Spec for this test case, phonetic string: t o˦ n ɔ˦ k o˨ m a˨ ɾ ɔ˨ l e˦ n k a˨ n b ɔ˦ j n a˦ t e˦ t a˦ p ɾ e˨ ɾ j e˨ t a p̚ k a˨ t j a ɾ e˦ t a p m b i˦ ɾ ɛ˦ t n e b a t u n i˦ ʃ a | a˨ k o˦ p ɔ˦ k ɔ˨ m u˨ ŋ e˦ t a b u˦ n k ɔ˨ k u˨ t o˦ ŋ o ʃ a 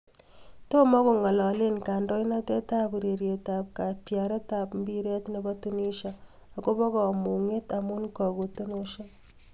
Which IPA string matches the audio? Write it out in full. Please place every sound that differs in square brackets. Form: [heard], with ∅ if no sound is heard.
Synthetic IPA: t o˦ [m] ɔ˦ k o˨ [ŋ] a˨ [l] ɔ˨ l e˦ n k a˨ n [d] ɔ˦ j n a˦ t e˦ t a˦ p ɾ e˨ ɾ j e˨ t a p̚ k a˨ t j a ɾ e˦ t a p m b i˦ ɾ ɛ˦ t n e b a t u n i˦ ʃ a | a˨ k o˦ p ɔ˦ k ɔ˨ m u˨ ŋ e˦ t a [m] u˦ n k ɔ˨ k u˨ t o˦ [n] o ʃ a